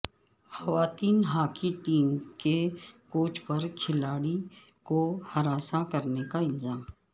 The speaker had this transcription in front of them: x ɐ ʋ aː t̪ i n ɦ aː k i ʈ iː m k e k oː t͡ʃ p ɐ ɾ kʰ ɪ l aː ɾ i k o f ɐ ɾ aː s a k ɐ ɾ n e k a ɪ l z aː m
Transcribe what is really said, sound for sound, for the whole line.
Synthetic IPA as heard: x ɐ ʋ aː t̪ iː n ɦ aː k i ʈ iː m k e k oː t͡ʃ p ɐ ɾ kʰ ɪ l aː ɽ i k o h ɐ ɾ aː s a k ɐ ɾ n e k a ɪ l z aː m